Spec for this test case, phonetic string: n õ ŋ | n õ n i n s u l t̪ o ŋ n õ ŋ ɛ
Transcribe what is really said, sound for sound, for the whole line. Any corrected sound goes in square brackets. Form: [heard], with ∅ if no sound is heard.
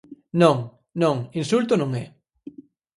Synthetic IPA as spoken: n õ ŋ | n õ [ŋ] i n s u l t̪ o [∅] n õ ŋ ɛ